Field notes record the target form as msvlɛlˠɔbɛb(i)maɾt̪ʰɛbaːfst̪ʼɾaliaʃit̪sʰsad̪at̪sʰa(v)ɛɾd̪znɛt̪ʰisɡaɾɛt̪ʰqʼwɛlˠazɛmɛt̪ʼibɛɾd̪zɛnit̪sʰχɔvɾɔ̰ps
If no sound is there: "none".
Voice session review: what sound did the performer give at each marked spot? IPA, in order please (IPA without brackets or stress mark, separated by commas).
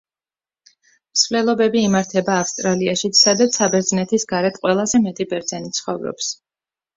iː, b